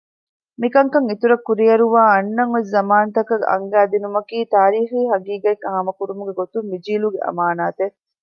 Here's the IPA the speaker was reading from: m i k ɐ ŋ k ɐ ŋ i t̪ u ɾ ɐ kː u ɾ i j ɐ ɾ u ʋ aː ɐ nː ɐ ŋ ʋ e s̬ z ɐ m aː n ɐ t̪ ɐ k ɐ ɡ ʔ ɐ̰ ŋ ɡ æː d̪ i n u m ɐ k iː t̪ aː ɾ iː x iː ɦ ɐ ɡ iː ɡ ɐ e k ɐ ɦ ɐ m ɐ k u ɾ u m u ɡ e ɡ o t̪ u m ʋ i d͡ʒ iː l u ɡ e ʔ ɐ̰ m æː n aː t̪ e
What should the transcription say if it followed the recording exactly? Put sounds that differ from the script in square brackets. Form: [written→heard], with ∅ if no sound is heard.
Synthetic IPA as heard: m i k ɐ ŋ k ɐ ŋ i t̪ u ɾ ɐ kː u ɾ i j ɐ ɾ u ʋ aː ɐ nː ɐ ŋ ʋ e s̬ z ɐ m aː n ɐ t̪ ɐ k ɐ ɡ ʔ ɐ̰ ŋ ɡ æː d̪ i n u m ɐ k iː t̪ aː ɾ iː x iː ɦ ɐ ɡ iː ɡ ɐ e k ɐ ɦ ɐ m ɐ k u ɾ u m u ɡ e ɡ o t̪ u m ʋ i d͡ʒ iː l u ɡ e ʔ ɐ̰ m [æː→aː] n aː t̪ e

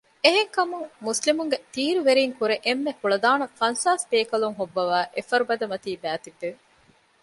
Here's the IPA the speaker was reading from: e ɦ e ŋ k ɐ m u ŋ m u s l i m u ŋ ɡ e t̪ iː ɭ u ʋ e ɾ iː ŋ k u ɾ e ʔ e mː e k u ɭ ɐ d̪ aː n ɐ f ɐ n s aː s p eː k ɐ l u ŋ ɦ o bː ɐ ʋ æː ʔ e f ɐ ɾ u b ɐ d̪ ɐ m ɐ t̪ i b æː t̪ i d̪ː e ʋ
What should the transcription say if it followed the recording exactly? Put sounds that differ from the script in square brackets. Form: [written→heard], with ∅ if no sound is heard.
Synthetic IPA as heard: e ɦ e ŋ k ɐ m u ŋ m u s l i m u ŋ ɡ e t̪ iː [ɭ→ɾ] u ʋ e ɾ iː ŋ k u ɾ e ʔ e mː e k u ɭ ɐ d̪ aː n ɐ f ɐ n s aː s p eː k ɐ l u ŋ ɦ o bː ɐ ʋ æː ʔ e f ɐ ɾ u b ɐ d̪ ɐ m ɐ t̪ [i→iː] b æː t̪ i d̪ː e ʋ

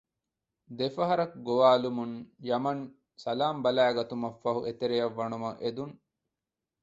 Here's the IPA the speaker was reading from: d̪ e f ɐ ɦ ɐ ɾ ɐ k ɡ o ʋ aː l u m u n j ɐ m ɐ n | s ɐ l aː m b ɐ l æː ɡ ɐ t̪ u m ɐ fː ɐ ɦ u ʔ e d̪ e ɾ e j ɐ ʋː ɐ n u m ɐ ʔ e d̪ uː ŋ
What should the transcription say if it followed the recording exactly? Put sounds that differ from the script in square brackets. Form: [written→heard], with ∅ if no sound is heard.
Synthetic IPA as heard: d̪ e f ɐ ɦ ɐ ɾ ɐ k ɡ o ʋ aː l u m u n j ɐ m ɐ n | s ɐ l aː m b ɐ l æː ɡ ɐ t̪ u m ɐ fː ɐ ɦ u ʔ e [d̪→t̪] e ɾ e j ɐ ʋː ɐ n u m ɐ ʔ e d̪ [uː→u] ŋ

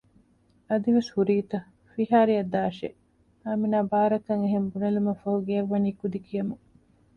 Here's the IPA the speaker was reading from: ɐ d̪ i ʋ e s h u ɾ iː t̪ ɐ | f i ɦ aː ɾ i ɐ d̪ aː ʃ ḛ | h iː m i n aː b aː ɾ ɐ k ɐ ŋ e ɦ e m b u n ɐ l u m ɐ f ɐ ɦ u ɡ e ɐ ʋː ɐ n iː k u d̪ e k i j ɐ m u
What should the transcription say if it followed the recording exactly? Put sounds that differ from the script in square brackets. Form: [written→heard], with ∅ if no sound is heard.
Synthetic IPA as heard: ɐ d̪ i ʋ e s h u ɾ iː t̪ ɐ | f i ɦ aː ɾ i ɐ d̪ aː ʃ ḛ | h [iː→aː] m i n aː b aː ɾ ɐ k ɐ ŋ e ɦ e m b u n ɐ l u m ɐ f ɐ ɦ u ɡ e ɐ ʋː ɐ n iː k u d̪ [e→i] k i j ɐ m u

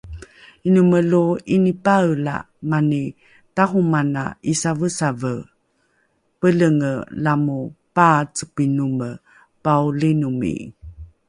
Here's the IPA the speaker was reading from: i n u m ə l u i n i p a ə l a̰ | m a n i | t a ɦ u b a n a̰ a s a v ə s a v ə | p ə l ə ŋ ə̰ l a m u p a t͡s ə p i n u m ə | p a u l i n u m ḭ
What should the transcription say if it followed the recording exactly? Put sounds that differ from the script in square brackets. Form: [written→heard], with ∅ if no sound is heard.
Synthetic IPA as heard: i n u m ə l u i n i p a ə l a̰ | m a n i | t a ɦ u [b→m] a n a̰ [a→i] s a v ə s a v ə | p ə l ə ŋ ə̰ l a m u p a t͡s ə p i n u m ə | p a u l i n u m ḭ

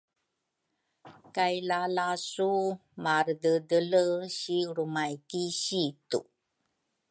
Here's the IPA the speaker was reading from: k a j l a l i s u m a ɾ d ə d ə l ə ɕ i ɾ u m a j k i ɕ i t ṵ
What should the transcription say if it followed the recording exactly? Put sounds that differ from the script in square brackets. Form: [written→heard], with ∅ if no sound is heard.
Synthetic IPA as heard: k a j l a l [i→a] s u m a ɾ d ə d ə l ə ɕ i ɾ u m a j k i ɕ i t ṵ

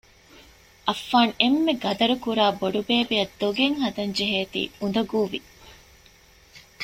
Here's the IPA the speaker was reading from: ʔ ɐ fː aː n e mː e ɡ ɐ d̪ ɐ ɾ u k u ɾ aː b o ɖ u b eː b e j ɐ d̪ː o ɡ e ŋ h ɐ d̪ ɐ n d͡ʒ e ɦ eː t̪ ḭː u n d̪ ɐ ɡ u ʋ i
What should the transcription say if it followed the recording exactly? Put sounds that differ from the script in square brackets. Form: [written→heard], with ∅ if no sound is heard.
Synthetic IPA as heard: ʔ ɐ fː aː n e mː e ɡ ɐ d̪ ɐ ɾ u k u ɾ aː b o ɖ u b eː b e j ɐ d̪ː o ɡ e ŋ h ɐ d̪ ɐ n d͡ʒ e ɦ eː t̪ ḭː u n d̪ ɐ ɡ [u→uː] ʋ i

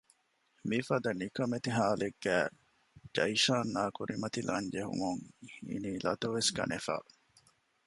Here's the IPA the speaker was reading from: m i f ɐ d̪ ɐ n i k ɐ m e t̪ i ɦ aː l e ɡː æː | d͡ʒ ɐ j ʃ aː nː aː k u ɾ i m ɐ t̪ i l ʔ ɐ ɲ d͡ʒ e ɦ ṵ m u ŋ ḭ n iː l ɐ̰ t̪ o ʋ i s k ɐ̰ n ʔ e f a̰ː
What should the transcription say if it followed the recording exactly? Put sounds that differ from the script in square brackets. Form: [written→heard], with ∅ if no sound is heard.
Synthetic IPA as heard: m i f ɐ d̪ ɐ n i k ɐ m e t̪ i ɦ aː l e ɡː æː | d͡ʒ ɐ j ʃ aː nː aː k u ɾ i m ɐ t̪ i l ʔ ɐ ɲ d͡ʒ e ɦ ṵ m u ŋ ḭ n iː l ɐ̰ t̪ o ʋ [i→e] s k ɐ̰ n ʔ e f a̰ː

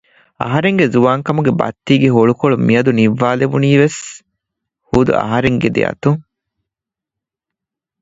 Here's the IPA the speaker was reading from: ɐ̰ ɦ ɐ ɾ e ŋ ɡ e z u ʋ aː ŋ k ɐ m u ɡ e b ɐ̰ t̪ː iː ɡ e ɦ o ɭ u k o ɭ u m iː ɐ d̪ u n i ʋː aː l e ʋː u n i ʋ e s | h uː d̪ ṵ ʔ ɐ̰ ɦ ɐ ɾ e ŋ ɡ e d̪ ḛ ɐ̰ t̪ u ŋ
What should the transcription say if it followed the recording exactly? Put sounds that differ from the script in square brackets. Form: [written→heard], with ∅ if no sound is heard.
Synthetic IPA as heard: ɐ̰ ɦ ɐ ɾ e ŋ ɡ e z u ʋ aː ŋ k ɐ m u ɡ e b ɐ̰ t̪ː iː ɡ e ɦ o ɭ u k o ɭ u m [iː→i] ɐ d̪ u n i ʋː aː l e [ʋː→ʋ] u n [i→iː] ʋ e s | h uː d̪ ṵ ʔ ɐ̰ ɦ ɐ ɾ e ŋ ɡ e d̪ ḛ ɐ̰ t̪ u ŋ

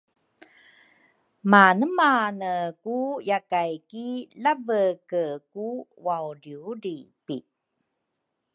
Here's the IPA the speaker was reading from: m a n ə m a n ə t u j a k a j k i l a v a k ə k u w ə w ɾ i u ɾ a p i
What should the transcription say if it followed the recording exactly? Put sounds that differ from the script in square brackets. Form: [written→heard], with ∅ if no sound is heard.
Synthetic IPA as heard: m a n ə m a n ə [t→k] u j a k a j k i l a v [a→ə] k ə k u w [ə→a] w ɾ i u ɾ [a→i] p i

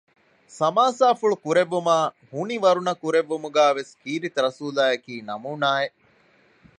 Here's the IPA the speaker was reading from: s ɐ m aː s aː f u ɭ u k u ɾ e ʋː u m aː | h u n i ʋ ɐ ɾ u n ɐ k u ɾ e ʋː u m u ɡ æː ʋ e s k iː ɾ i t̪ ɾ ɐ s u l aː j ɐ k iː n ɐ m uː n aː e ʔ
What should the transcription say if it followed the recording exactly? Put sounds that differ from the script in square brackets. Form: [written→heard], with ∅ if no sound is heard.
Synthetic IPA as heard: s ɐ m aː s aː f u ɭ u k u ɾ e ʋː u m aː | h u n i ʋ ɐ ɾ u n ɐ k u ɾ e ʋː u m u ɡ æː ʋ e s k iː ɾ i t̪ ɾ ɐ s [u→uː] l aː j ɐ k iː n ɐ m uː n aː e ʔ

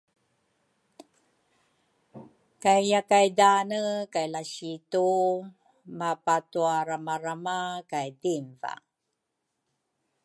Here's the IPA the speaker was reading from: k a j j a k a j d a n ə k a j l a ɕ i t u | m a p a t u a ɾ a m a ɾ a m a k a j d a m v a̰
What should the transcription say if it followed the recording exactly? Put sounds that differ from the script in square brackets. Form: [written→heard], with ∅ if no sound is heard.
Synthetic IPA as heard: k a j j a k a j d a n ə k a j l a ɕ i t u | m a p a t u a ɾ a m a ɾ a m a k a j d [a→i] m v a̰

